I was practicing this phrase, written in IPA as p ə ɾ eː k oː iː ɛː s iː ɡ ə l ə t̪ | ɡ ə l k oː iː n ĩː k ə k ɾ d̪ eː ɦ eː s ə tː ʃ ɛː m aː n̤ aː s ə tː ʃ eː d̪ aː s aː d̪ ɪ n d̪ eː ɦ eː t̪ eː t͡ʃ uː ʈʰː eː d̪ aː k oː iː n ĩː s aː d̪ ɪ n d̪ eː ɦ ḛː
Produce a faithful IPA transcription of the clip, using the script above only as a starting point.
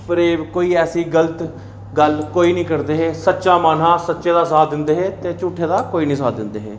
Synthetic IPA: p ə ɾ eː k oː iː ɛː s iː ɡ ə l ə t̪ | ɡ ə l k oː iː n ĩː k ə ɾ d̪ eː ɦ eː s ə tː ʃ aː m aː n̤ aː s ə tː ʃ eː d̪ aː s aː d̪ ɪ n d̪ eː ɦ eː t̪ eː t͡ʃ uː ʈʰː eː d̪ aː k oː iː n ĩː s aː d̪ ɪ n d̪ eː ɦ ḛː